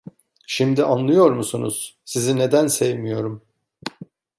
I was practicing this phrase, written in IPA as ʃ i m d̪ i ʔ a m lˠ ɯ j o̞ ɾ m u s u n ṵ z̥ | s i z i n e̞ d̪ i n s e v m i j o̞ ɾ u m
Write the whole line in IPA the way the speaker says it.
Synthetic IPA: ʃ i m d̪ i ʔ a n lˠ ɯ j o̞ ɾ m u s u n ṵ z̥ | s i z i n e̞ d̪ æ n s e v m i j o̞ ɾ u m